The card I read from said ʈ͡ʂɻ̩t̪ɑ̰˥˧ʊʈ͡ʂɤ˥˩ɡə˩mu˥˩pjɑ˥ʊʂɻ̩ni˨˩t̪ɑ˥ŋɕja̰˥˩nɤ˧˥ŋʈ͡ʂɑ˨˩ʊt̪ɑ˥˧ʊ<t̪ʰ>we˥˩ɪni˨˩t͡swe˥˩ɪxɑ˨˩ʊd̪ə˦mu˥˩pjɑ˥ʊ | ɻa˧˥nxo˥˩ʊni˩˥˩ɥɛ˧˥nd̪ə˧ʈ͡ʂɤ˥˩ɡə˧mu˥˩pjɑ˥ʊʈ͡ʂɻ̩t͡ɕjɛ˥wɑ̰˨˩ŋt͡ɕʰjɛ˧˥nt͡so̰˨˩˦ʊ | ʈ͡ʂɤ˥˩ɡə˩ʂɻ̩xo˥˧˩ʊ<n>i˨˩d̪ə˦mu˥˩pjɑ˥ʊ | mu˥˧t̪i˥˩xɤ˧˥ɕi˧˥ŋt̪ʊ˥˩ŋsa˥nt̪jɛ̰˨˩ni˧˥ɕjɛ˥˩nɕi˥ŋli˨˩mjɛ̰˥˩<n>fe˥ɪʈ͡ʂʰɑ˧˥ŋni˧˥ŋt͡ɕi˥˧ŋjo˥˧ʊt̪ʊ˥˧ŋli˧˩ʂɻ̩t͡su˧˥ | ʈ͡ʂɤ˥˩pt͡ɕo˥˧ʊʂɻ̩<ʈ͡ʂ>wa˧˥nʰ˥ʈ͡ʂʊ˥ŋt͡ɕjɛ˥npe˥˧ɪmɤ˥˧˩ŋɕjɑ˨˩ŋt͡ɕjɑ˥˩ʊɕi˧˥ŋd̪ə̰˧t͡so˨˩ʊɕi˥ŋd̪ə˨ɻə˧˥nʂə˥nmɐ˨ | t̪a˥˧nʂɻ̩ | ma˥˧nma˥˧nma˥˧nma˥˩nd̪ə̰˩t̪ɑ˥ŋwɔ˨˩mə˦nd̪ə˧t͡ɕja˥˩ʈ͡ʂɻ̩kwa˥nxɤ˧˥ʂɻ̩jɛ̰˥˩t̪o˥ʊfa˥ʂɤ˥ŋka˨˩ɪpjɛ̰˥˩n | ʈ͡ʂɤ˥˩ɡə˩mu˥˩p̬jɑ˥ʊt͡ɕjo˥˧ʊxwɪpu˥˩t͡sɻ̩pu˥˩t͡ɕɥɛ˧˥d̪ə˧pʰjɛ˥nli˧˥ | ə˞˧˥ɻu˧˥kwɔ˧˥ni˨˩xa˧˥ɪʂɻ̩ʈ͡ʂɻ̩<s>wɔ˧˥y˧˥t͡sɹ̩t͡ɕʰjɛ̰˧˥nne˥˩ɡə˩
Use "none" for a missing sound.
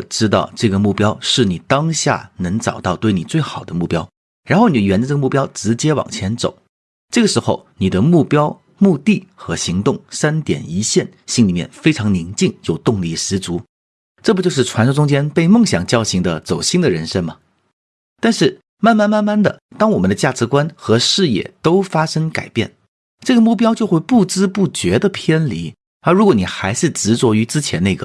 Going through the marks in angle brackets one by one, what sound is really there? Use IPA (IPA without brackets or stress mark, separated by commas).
t̪, n, n, ʈ͡ʂʰ, t͡s